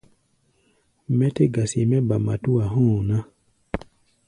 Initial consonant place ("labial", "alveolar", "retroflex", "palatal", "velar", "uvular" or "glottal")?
labial